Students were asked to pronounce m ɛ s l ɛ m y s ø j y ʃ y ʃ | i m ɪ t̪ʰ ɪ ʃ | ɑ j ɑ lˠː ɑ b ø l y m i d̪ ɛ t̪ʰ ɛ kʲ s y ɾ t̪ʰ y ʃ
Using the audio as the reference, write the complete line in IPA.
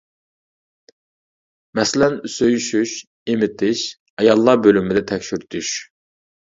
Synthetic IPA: m ɛ s l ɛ n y s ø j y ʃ y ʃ | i m ɪ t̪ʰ ɪ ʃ | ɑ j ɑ lˠː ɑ b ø l y m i d̪ ɛ t̪ʰ ɛ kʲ ʃ y ɾ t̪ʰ y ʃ

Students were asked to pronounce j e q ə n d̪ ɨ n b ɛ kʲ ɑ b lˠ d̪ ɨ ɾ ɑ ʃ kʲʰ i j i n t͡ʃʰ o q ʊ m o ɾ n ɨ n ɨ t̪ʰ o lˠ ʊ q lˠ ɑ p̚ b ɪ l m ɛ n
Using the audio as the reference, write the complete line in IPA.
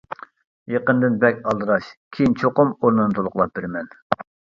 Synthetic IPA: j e q ə n d̪ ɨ n b ɛ kʲ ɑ lˠ d̪ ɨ ɾ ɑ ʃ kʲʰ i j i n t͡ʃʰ o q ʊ m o ɾ n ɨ n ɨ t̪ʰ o lˠ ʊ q lˠ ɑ p̚ b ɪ ɾ m ɛ n

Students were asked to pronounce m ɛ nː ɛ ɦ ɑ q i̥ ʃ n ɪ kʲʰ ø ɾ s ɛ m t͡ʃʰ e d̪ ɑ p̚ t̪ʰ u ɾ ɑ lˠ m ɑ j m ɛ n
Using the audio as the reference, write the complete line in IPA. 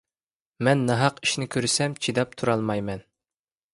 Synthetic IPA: m ɛ nː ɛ ɦ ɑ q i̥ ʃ n ɪ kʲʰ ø ɾ s ɛ m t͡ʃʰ i d̪ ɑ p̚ t̪ʰ u ɾ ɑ lˠ m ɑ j m ɛ n

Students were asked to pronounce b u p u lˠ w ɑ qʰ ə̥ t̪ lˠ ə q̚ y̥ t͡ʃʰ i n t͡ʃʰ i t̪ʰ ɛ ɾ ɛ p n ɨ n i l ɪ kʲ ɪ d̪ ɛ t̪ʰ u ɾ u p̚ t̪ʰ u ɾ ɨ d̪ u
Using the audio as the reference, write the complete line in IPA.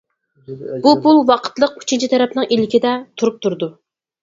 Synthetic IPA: b u p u lˠ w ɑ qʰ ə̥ t̪ lˠ ə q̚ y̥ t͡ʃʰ i n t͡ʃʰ i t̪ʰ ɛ ɾ ɛ p n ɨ ŋ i l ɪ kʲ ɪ d̪ ɛ t̪ʰ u ɾ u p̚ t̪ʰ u ɾ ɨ d̪ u

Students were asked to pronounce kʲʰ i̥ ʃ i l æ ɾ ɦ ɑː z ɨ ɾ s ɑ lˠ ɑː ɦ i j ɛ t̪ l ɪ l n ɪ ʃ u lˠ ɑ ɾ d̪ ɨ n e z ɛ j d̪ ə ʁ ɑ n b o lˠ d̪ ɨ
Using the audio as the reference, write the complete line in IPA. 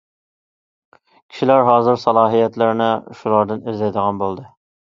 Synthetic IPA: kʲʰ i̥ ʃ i l æ ɾ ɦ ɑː z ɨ ɾ s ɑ lˠ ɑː ɦ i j ɛ t̪ l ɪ ɾ n ɪ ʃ u lˠ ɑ ɾ d̪ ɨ n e z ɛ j d̪ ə ʁ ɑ n b o lˠ d̪ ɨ

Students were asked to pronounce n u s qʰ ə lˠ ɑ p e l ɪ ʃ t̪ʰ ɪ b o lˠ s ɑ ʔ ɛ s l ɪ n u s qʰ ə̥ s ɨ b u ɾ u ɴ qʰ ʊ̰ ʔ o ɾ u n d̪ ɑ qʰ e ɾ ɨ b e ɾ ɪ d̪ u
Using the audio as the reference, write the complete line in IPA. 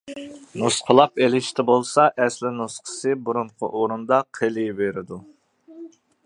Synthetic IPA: n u s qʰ ə lˠ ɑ p e l ɪ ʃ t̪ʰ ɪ b o lˠ s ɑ ʔ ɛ s l ɪ n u s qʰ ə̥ s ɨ b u ɾ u ɴ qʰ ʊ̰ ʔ o ɾ u n d̪ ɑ qʰ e l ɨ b e ɾ ɪ d̪ u

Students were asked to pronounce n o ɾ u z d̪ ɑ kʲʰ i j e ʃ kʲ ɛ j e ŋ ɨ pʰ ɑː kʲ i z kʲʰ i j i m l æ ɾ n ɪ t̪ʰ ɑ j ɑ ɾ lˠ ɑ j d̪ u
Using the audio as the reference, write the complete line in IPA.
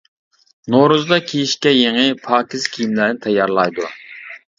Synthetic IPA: n o ɾ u z d̪ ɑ kʲʰ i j i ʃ kʲ ɛ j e ŋ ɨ pʰ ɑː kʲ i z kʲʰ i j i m l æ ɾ n ɪ t̪ʰ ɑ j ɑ ɾ lˠ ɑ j d̪ u

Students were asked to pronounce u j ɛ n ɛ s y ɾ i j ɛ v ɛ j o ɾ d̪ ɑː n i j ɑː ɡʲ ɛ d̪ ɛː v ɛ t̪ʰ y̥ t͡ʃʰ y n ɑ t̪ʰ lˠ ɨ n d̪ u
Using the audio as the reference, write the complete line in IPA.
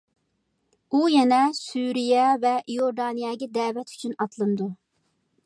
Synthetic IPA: u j ɛ n ɛ s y ɾ i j ɛ v ɛ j o ɾ d̪ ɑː n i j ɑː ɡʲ ɛ d̪ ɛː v ɛ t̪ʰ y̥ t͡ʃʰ y n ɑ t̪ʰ lˠ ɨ n d̪ u

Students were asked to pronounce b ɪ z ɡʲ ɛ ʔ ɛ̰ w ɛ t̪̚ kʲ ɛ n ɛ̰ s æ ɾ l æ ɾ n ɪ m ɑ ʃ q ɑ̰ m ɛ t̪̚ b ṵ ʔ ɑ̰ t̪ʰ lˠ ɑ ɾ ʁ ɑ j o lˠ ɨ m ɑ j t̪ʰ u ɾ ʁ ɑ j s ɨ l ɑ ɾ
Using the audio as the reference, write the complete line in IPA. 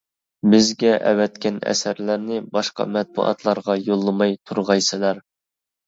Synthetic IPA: b ɪ z ɡʲ ɛ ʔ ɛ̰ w ɛ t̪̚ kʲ ɛ n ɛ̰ s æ ɾ l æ ɾ n ɪ b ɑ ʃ q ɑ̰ m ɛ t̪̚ b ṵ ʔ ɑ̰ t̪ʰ lˠ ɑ ɾ ʁ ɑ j o lˠː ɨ m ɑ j t̪ʰ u ɾ ʁ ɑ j s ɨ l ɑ ɾ

